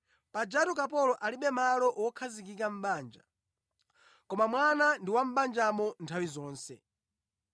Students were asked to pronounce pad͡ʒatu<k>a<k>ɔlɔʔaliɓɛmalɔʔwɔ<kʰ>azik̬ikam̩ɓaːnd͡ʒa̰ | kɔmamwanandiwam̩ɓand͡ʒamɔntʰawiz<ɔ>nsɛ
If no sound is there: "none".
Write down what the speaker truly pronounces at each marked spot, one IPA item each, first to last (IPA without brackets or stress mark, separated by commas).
k, p, kʰ, ɔː